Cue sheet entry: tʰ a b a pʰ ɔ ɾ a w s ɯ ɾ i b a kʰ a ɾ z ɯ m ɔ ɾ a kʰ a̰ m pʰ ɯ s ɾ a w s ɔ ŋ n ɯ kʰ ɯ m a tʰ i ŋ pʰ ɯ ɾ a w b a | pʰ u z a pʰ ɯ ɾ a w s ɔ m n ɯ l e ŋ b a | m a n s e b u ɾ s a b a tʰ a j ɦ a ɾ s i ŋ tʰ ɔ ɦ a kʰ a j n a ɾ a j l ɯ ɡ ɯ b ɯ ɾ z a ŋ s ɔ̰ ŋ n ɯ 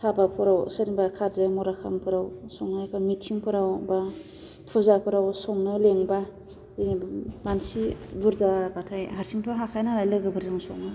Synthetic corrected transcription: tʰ a b a pʰ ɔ ɾ a w s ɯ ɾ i b a kʰ a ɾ z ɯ m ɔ ɾ a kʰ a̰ m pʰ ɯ ɾ a w s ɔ ŋ n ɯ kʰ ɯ m i tʰ i ŋ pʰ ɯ ɾ a w b a | pʰ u z a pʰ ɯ ɾ a w s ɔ ŋ n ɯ l e ŋ b a | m a n s i b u ɾ z a b a tʰ a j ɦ a ɾ s i ŋ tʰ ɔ ɦ a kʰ a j n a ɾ a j l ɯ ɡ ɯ b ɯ ɾ z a ŋ s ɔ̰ ŋ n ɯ